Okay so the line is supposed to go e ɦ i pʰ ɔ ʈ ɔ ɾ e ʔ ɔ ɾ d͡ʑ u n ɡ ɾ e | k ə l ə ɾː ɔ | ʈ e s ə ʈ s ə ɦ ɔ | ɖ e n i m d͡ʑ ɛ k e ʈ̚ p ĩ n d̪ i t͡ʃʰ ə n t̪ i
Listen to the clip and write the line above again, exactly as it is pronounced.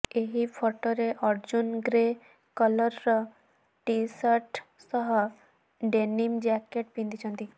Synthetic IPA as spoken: e ɦ i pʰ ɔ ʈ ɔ ɾ e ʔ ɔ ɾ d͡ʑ u n ɡ ɾ e | k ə l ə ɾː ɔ | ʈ i s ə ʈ s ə ɦ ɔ | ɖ e n i m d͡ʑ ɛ k e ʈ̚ p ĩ n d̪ i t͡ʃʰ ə n t̪ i